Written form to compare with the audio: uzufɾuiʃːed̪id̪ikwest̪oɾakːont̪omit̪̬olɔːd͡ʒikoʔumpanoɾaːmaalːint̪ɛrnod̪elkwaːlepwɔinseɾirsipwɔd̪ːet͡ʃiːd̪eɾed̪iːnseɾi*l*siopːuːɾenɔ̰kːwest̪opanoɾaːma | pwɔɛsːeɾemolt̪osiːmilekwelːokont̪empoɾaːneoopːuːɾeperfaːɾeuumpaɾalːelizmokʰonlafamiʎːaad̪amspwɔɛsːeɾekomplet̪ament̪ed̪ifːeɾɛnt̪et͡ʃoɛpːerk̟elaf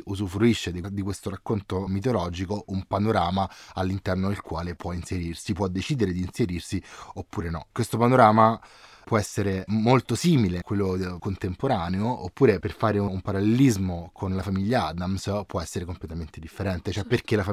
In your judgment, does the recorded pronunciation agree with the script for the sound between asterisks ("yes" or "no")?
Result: no